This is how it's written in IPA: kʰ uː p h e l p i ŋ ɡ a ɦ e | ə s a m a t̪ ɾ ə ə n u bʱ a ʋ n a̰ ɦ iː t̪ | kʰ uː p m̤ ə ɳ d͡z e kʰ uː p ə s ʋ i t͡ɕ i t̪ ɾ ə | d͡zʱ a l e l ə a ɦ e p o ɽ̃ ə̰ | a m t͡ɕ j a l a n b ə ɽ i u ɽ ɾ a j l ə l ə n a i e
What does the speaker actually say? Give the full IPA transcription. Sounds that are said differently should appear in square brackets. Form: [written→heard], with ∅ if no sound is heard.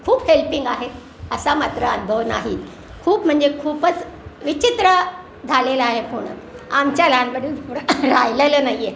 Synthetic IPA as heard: kʰ uː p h e l p i ŋ ɡ a ɦ e | ə s a m a t̪ ɾ ə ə n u bʱ [a→ə] ʋ n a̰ ɦ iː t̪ | kʰ uː p m̤ ə ɳ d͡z e kʰ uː p ə [s→t͡s] ʋ i t͡ɕ i t̪ ɾ ə | d͡zʱ a l e l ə a ɦ e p o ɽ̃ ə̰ | a m t͡ɕ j a l a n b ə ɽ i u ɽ ɾ a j l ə l ə n a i e

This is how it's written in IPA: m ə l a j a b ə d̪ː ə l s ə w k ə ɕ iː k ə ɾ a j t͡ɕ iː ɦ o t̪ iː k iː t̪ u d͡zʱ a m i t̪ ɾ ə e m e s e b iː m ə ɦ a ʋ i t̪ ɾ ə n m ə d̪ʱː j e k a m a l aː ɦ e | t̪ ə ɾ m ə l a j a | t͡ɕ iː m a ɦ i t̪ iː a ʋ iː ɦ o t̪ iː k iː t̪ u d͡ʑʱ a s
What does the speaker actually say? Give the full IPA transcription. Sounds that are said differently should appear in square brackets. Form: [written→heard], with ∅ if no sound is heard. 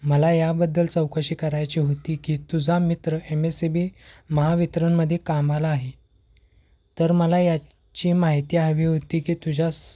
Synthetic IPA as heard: m ə l a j a b ə d̪ː ə l [s→t͡s] ə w k ə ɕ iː k ə ɾ a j t͡ɕ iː ɦ o t̪ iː k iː t̪ u d͡zʱ a m i t̪ ɾ ə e m e s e b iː m ə ɦ a ʋ i t̪ ɾ ə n m ə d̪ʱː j e k a m a l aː ɦ e | t̪ ə ɾ m ə l a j a | t͡ɕ iː m a ɦ i t̪ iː a ʋ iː ɦ o t̪ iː k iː t̪ u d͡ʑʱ a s

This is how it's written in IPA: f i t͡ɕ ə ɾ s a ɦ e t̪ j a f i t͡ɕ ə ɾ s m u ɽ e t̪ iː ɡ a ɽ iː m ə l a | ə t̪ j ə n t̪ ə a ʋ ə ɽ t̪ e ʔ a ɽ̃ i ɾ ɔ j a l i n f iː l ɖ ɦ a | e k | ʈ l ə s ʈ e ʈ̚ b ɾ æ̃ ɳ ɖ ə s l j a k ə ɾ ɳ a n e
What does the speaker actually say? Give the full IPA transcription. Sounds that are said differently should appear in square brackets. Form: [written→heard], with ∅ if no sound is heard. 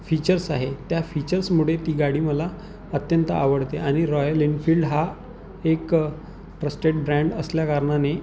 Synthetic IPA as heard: f i t͡ɕ ə ɾ s a ɦ e t̪ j a f i t͡ɕ ə ɾ s m u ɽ e t̪ iː ɡ a ɽ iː m ə l a | ə t̪ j ə n t̪ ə a ʋ ə ɽ t̪ e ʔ a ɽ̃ i ɾ ɔ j [a→ə] l i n f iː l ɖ ɦ a | e k | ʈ [l→ɾ] ə s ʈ e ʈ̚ b ɾ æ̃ ɳ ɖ ə s l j a k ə ɾ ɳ a n e

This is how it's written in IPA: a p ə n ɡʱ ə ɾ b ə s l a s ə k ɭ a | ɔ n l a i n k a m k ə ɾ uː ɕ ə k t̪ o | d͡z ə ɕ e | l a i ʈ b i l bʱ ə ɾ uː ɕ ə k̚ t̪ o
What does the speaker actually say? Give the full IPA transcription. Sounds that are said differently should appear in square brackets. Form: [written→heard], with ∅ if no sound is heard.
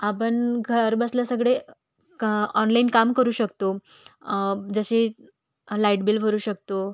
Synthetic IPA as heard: a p ə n ɡʱ ə ɾ b ə s l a s ə [k→ɡ] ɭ [a→e] | ɔ n l a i n k a m k ə ɾ uː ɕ ə k t̪ o | d͡z ə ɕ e | l a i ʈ b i l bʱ ə ɾ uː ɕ ə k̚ t̪ o

